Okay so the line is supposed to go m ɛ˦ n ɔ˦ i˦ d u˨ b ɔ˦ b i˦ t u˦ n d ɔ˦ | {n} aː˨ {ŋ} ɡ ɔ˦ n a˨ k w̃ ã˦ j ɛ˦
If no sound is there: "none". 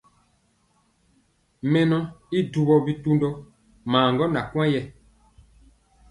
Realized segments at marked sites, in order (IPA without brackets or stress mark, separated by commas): m, ŋ